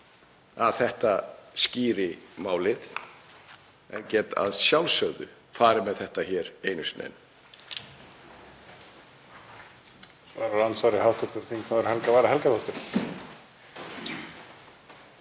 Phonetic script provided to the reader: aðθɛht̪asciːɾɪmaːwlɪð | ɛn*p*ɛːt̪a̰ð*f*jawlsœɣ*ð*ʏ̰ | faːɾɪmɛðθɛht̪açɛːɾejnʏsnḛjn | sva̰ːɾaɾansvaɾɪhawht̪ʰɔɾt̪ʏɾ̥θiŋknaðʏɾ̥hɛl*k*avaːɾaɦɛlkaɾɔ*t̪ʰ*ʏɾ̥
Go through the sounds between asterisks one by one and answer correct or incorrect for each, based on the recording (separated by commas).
incorrect, incorrect, correct, correct, incorrect